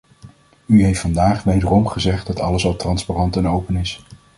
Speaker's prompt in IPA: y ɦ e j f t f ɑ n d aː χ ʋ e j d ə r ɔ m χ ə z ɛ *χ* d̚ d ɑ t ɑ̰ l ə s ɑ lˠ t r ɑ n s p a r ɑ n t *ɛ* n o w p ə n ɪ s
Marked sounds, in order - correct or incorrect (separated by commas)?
correct, correct